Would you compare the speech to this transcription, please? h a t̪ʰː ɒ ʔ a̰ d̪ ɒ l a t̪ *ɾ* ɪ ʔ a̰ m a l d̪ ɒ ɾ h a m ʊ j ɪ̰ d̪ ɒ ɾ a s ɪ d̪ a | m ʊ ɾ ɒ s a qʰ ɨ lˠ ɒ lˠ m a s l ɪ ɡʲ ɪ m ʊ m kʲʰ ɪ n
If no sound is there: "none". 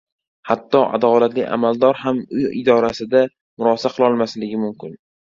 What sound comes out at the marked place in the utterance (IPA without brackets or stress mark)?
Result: l